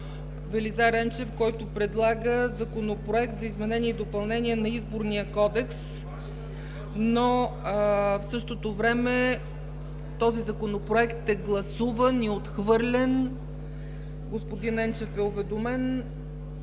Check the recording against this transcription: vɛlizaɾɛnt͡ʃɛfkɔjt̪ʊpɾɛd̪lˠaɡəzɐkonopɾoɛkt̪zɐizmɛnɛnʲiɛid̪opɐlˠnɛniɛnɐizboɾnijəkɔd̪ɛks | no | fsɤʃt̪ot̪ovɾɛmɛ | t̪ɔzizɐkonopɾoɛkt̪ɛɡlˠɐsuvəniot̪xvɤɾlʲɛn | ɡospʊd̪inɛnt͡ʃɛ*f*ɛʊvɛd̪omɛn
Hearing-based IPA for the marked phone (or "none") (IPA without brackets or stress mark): f